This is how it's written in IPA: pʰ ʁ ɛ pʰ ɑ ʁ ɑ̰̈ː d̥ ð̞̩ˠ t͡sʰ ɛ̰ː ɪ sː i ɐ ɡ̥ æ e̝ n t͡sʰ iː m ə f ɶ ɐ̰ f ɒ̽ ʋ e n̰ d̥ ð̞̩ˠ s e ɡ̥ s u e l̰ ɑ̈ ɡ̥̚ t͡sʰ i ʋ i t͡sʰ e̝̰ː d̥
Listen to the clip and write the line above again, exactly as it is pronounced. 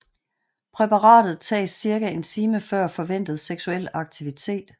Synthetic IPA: pʰ ʁ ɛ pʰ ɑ ʁ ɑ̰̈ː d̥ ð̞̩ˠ t͡sʰ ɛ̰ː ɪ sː i ɐ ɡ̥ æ e̝ n t͡sʰ iː m ə f ɶ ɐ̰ f ɒ̽ ʋ e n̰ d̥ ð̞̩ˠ s e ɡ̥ s u e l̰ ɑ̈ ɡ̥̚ t͡sʰ i ʋ i t͡sʰ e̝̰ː d̥